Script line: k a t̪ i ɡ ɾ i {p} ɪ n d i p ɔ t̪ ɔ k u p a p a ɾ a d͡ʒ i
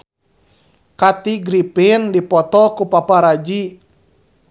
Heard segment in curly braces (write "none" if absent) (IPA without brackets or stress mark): p